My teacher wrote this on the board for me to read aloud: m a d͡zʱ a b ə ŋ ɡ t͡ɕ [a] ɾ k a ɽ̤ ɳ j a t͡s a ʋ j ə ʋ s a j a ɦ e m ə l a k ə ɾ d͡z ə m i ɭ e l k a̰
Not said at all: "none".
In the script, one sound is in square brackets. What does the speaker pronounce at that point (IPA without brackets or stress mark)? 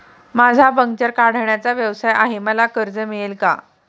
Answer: ə